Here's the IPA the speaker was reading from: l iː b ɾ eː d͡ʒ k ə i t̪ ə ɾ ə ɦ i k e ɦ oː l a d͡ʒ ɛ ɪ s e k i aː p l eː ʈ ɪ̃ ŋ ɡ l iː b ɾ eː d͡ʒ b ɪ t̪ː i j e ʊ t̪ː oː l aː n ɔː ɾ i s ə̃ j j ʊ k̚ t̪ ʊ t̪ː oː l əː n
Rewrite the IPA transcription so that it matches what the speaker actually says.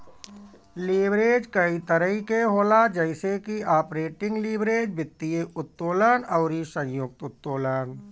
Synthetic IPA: l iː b ɾ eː d͡ʒ k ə i t̪ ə ɾ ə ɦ i k e ɦ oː l a d͡ʒ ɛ ɪ s e k i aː p ɾ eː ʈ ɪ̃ ŋ ɡ l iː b ɾ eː d͡ʒ b ɪ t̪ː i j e ʊ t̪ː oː l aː n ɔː ɾ i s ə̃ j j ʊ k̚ t̪ ʊ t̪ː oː l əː n